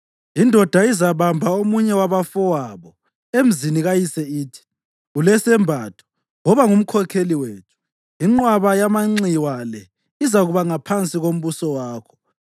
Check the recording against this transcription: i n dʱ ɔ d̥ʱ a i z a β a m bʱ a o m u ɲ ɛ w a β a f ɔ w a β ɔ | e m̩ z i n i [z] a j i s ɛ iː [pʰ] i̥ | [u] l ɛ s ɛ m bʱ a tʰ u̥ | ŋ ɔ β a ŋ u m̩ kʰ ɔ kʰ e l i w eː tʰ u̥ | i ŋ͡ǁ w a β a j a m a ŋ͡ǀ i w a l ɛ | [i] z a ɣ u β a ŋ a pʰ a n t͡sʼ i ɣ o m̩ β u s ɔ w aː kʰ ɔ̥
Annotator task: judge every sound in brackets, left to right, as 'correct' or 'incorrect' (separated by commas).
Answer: incorrect, incorrect, correct, correct